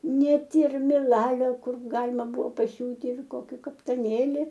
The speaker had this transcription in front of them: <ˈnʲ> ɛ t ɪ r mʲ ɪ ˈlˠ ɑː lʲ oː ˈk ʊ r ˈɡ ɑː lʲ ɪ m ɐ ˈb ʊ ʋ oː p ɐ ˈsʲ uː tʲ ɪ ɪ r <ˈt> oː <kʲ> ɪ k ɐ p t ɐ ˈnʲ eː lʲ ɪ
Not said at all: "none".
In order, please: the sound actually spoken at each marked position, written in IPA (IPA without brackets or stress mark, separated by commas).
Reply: nʲ, k, kʲ